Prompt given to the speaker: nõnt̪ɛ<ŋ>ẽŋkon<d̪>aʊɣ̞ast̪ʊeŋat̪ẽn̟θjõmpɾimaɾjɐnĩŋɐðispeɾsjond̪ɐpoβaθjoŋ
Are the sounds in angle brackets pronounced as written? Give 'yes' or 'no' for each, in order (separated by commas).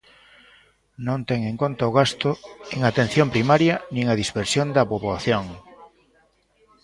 yes, no